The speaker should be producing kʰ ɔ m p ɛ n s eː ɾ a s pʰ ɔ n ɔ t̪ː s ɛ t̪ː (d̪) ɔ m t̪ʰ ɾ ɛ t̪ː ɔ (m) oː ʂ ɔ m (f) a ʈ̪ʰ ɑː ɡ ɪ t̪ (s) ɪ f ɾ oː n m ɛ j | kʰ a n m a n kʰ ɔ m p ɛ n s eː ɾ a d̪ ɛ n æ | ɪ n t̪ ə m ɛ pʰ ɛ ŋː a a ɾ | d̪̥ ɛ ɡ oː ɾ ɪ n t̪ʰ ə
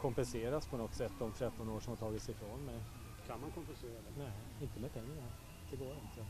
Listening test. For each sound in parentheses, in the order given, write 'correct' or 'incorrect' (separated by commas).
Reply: correct, incorrect, incorrect, correct